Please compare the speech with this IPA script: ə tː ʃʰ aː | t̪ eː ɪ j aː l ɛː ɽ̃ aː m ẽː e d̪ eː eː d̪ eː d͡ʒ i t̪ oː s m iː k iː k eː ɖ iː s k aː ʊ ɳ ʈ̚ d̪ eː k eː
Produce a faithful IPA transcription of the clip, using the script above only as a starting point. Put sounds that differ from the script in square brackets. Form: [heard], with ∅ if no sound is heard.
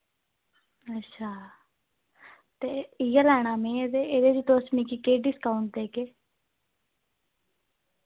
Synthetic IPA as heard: ə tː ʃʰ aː | t̪ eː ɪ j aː l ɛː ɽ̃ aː m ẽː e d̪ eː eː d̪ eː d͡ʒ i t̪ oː s m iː k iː k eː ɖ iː s k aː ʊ ɳ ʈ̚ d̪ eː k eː